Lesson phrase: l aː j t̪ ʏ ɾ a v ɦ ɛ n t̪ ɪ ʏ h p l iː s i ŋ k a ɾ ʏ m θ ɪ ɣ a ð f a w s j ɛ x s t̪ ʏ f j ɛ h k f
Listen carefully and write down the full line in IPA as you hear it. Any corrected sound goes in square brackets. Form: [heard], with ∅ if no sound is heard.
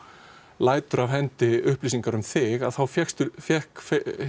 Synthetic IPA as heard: l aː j t̪ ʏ ɾ a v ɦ ɛ n t̪ ɪ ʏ h p l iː s i ŋ k a ɾ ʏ m θ ɪ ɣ a ð [θ] a w [f] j ɛ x s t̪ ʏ f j ɛ h k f